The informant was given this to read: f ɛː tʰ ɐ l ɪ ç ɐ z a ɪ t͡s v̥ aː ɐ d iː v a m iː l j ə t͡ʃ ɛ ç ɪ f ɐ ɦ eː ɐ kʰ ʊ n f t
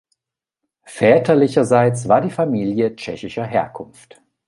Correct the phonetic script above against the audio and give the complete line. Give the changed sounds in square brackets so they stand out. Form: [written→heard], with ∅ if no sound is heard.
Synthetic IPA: f ɛː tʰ ɐ l ɪ ç ɐ z a ɪ t͡s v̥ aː ɐ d iː [v→f] a m iː l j ə t͡ʃ ɛ ç ɪ [f→ʃ] ɐ ɦ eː ɐ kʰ ʊ n f t